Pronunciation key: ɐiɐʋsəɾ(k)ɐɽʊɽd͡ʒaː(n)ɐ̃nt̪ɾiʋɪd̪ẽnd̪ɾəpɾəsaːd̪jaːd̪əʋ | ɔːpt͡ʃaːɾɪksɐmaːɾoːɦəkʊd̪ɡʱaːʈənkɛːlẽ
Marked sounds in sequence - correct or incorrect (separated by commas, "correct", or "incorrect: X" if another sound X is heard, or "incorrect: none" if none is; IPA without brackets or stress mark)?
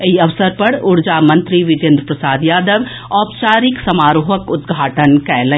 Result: incorrect: p, incorrect: m